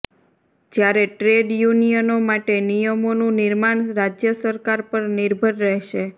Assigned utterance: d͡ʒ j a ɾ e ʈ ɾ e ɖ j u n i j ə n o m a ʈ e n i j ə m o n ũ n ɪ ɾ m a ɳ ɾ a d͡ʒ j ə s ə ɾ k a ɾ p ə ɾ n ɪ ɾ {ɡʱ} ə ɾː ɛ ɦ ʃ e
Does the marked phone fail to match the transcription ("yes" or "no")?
yes